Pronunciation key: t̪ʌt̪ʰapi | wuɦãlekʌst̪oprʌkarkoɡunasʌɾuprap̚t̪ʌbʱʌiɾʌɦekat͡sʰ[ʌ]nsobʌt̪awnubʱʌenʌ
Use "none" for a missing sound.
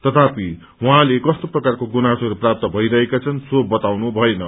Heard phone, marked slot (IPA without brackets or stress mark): ʌ